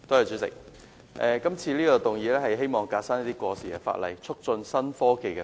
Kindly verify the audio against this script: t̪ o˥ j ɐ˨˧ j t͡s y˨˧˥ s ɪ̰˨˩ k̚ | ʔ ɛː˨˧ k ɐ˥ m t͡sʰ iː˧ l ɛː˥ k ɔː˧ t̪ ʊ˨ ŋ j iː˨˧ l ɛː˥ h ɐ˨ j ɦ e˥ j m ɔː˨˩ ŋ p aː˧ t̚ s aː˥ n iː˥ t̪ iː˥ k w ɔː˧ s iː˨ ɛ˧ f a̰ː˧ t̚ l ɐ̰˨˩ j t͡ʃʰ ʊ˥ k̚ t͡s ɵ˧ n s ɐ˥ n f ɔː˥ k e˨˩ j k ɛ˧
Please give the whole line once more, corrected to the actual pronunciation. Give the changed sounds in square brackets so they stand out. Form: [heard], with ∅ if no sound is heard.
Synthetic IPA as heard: t̪ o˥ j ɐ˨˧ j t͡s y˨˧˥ s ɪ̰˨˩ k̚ | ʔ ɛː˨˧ k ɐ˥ m t͡sʰ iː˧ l [iː˥] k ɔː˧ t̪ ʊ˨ ŋ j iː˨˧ l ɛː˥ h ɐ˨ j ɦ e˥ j m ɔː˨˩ ŋ [k] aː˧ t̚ s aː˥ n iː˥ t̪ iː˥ k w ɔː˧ s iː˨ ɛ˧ f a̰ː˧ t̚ l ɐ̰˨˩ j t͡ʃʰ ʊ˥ k̚ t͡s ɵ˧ n s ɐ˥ n f ɔː˥ k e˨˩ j k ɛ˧